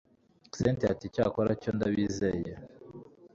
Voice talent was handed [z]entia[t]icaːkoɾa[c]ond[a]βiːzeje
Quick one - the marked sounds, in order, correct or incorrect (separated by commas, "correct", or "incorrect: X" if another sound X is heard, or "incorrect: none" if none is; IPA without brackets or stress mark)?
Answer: incorrect: s, correct, correct, correct